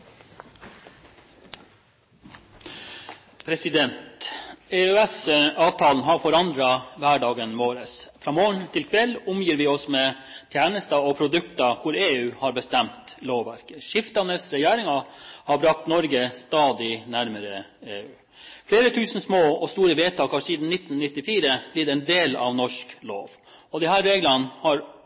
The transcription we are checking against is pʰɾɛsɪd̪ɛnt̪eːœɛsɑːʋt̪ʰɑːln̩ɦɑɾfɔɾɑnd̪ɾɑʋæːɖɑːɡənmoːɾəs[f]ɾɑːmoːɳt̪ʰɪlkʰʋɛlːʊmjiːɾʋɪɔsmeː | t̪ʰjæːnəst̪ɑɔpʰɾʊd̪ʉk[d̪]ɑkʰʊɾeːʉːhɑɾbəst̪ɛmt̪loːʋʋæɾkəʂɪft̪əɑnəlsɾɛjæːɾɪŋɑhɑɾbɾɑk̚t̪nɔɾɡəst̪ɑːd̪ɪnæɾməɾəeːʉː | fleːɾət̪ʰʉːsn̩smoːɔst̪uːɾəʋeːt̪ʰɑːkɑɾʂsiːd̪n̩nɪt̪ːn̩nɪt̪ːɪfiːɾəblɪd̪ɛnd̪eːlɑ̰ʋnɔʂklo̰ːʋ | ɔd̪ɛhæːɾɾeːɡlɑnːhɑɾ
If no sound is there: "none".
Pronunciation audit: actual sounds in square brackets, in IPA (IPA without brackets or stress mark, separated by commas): f, t̪